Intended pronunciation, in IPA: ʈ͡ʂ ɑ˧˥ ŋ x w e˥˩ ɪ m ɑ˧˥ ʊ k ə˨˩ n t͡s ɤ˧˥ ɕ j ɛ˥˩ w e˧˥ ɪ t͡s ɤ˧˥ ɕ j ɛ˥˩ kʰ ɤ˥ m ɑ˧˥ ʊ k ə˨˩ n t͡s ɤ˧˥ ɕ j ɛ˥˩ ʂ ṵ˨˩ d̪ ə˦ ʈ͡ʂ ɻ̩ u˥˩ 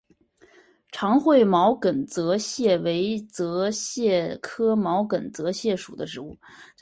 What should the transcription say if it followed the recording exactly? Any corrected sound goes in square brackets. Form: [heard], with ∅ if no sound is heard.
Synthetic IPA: [ʈ͡ʂʰ] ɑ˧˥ ŋ x w e˥˩ ɪ m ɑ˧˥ ʊ k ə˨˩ n t͡s ɤ˧˥ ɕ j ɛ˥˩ w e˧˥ ɪ t͡s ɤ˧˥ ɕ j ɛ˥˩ kʰ ɤ˥ m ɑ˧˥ ʊ k ə˨˩ n t͡s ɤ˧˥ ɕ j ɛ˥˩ ʂ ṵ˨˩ d̪ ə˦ ʈ͡ʂ ɻ̩ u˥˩